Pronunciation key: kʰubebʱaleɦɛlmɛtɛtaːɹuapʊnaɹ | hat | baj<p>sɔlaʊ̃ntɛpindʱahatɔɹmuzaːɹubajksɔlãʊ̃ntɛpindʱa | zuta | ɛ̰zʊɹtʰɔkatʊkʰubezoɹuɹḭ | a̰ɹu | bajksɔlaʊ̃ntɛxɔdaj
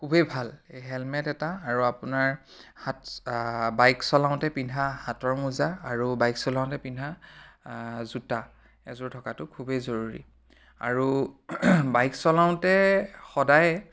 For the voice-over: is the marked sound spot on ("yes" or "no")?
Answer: no